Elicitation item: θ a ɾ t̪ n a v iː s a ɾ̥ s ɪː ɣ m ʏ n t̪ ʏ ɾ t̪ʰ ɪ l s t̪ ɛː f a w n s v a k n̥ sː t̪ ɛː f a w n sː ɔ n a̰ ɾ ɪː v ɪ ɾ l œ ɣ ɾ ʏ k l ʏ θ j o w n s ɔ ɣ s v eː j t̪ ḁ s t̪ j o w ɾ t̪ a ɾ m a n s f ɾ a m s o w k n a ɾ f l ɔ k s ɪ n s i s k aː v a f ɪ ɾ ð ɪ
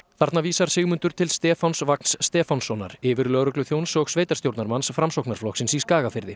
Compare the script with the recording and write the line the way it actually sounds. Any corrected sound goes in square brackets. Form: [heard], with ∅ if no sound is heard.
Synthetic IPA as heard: θ a ɾ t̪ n a v iː s a ɾ̥ s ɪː ɣ m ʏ n t̪ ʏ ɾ t̪ʰ ɪ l s t̪ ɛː f a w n s v a k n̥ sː t̪ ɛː f a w n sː ɔ n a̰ ɾ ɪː v ɪ ɾ l œ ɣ ɾ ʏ k l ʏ θ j o w n s ɔ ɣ s v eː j t̪ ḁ s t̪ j o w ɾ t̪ a ɾ m a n s f ɾ a m s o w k n a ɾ f l ɔ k s ɪ n s i s k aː [ɣ] a f ɪ ɾ ð ɪ